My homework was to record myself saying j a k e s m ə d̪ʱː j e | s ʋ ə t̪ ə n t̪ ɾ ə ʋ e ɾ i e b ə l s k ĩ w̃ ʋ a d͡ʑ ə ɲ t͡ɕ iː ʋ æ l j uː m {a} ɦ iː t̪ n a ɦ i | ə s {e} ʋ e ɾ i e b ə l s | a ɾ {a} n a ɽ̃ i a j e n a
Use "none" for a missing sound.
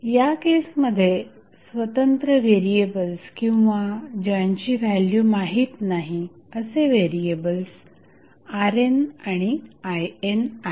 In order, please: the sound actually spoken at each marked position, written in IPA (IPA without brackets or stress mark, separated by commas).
a, e, e